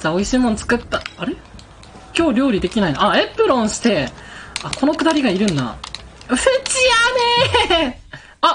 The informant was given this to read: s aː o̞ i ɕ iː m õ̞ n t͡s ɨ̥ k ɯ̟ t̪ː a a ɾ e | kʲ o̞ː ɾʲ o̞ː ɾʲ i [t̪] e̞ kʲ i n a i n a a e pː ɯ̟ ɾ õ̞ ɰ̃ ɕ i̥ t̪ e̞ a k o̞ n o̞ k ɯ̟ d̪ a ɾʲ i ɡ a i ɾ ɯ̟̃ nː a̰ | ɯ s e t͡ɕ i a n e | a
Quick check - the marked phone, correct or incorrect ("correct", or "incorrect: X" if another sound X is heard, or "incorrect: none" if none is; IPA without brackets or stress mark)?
incorrect: d̪